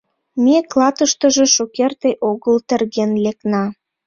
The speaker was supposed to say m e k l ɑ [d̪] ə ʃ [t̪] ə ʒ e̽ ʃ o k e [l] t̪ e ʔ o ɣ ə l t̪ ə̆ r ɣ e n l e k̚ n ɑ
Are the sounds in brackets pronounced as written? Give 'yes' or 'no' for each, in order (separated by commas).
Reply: no, yes, no